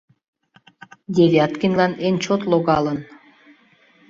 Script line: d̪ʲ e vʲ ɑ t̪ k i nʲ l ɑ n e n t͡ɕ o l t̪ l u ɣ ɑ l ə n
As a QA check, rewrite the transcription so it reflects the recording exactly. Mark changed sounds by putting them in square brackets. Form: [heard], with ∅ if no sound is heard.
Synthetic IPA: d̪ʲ e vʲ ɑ t̪ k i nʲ l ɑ n e n t͡ɕ o [∅] t̪ l [o] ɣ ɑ l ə n